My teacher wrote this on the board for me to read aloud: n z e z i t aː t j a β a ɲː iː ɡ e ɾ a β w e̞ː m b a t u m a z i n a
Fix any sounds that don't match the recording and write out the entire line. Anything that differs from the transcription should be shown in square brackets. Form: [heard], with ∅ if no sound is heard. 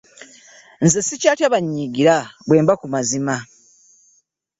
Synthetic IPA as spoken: n z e [s] i [c] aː t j a β a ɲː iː ɡ [i] ɾ a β w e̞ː m b a [k] u m a z i [m] a